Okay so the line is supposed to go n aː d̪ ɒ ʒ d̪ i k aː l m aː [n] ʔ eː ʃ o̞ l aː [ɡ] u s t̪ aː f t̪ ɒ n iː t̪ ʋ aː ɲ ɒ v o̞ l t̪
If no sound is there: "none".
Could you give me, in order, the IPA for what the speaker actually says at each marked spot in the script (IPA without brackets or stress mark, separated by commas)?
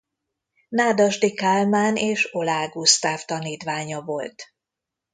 n, ɡ